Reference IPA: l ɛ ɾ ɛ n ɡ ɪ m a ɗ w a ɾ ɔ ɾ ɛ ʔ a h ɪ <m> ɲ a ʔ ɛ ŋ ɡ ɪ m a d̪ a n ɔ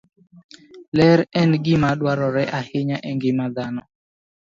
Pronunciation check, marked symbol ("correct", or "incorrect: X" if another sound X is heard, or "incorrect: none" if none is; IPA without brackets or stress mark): incorrect: none